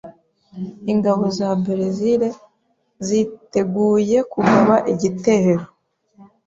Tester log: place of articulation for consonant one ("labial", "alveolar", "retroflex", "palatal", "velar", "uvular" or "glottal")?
velar